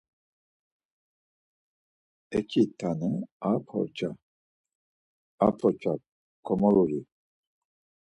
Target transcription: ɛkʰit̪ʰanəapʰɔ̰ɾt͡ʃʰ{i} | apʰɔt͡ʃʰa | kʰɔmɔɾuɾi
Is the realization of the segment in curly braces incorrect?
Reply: yes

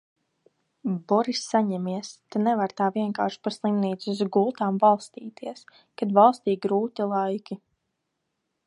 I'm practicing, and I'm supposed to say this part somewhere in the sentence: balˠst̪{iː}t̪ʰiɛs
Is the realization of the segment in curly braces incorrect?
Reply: no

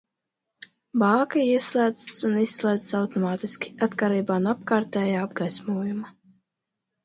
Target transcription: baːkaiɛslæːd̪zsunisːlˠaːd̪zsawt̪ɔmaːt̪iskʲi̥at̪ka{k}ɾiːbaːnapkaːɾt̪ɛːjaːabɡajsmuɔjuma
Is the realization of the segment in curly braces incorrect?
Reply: yes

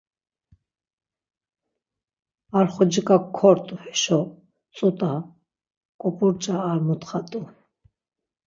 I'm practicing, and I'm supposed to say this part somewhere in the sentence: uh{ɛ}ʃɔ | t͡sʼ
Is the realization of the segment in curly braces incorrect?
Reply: no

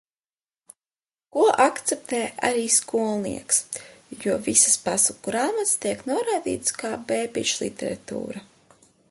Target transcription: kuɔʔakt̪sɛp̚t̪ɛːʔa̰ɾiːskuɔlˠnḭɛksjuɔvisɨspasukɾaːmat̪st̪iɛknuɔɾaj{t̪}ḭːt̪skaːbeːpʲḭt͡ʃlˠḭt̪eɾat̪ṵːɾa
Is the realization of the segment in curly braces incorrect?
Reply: yes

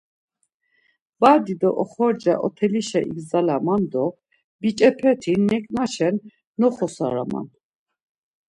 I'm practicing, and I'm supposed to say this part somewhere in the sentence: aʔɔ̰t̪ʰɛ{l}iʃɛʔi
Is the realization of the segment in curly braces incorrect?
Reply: no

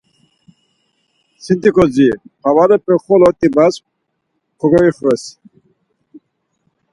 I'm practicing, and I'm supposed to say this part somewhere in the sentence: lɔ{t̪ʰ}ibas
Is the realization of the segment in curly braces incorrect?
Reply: yes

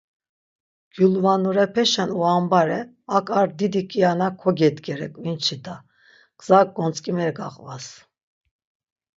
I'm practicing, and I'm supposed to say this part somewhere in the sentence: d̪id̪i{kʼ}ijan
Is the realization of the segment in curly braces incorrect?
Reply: no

